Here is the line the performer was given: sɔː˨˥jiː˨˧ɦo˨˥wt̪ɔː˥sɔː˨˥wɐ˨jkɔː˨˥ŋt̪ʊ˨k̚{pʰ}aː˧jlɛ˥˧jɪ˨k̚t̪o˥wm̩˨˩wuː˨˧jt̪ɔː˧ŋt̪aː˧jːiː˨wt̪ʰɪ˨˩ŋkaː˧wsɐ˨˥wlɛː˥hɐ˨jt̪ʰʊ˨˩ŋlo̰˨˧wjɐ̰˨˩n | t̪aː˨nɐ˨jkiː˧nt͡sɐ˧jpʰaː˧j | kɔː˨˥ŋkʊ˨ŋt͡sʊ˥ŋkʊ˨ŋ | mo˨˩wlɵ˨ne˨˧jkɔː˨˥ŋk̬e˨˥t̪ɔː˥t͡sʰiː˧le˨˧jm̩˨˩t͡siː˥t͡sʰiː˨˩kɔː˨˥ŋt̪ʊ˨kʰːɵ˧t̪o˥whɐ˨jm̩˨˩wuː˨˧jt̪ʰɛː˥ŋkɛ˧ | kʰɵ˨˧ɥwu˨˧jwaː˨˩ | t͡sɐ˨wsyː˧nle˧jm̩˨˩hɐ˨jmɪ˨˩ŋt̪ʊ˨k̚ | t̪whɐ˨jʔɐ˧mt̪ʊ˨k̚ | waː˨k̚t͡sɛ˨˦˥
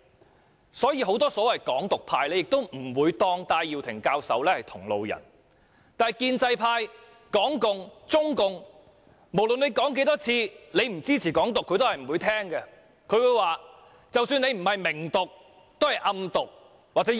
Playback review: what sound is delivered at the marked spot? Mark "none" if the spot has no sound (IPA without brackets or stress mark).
pʰ